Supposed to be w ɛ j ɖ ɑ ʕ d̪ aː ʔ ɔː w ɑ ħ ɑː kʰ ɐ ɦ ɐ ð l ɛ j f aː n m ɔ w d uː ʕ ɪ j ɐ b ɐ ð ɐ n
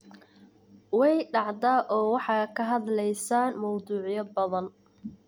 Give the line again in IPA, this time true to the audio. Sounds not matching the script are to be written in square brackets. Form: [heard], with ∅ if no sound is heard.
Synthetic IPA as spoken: w ɛ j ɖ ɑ ʕ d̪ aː ʔ ɔː w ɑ ħ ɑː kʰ ɐ ɦ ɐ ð l ɛ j [s] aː n m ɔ w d uː ʕ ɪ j ɐ b ɐ ð ɐ n